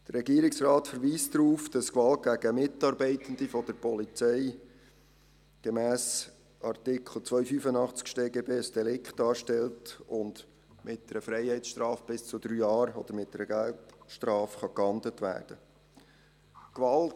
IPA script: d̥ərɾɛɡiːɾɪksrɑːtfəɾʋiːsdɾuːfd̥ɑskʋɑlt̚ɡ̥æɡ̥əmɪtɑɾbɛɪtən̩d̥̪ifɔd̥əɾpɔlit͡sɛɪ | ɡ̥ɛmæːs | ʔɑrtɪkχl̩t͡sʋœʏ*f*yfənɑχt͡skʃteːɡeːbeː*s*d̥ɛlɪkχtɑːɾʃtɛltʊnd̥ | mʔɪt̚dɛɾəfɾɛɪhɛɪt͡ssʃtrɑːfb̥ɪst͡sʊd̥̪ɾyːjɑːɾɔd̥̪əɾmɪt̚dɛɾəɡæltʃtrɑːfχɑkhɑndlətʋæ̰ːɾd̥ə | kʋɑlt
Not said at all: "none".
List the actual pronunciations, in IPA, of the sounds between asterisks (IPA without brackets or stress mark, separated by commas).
f, s